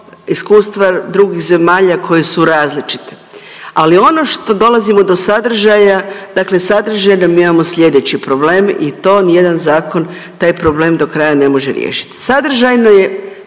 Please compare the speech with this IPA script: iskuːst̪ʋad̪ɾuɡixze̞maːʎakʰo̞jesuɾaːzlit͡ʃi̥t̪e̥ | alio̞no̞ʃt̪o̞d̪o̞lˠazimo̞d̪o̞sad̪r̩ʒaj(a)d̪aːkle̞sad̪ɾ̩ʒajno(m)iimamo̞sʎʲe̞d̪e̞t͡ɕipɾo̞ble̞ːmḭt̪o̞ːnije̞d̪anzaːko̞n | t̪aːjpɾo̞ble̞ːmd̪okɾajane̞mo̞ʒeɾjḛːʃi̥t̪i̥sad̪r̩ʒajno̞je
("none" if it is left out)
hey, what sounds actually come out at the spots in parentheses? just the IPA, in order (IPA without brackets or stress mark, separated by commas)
a, m